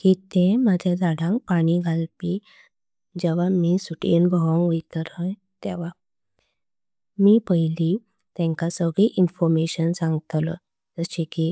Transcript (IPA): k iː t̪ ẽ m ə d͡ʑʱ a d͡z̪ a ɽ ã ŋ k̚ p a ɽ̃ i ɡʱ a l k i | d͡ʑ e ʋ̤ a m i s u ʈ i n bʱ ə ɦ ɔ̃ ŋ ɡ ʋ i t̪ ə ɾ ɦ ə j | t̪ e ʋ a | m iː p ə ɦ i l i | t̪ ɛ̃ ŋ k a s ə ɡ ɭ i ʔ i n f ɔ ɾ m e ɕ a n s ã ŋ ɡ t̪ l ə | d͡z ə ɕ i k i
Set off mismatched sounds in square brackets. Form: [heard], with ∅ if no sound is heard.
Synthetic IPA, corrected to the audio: k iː t̪ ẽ m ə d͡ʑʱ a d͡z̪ a ɽ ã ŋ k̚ p a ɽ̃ i ɡʱ a l [p] i | d͡ʑ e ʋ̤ a m i s u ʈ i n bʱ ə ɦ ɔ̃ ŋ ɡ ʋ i t̪ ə ɾ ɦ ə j | t̪ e ʋ a | m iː p ə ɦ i l i | t̪ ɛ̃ ŋ k a s ə ɡ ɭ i ʔ i n f ɔ ɾ m e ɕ [ə] n s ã ŋ ɡ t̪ l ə | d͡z ə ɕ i k i